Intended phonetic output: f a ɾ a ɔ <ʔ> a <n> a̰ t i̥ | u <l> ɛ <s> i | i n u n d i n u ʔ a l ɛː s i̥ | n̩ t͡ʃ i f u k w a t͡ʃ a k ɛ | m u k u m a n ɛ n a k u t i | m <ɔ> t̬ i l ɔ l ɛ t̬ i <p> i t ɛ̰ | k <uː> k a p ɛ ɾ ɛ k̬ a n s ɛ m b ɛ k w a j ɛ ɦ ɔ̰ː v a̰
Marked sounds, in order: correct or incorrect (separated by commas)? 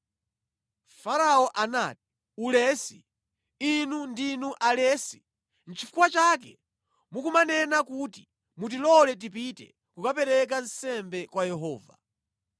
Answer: correct, correct, correct, correct, incorrect, correct, incorrect